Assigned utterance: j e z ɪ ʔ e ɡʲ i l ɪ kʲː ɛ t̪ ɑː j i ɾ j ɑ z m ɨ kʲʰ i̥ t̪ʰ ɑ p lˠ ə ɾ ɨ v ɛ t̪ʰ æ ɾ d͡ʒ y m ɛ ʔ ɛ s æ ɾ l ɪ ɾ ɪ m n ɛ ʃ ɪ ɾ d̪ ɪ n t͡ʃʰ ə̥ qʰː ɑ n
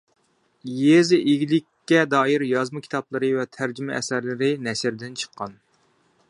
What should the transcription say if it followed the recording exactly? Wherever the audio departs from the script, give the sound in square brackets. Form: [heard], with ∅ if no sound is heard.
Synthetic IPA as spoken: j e z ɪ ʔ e ɡʲ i l ɪ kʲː ɛ [d̪] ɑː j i ɾ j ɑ z m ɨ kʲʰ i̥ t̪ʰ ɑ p lˠ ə ɾ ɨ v ɛ t̪ʰ æ ɾ d͡ʒ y m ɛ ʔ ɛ s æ ɾ l ɪ ɾ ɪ [∅] n ɛ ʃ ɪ ɾ d̪ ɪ n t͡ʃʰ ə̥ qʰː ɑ n